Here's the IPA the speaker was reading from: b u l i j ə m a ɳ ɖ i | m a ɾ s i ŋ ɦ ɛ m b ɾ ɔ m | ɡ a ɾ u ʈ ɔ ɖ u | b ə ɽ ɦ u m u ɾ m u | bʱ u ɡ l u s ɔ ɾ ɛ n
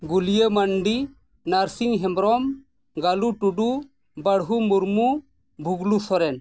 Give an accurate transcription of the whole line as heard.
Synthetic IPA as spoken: ɡ u l i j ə m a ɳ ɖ i | n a ɾ s i ŋ ɦ ɛ m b ɾ ɔ m | ɡ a l u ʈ u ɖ u | b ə ɽ ɦ u m u ɾ m u | bʱ u ɡ l u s ɔ ɾ ɛ n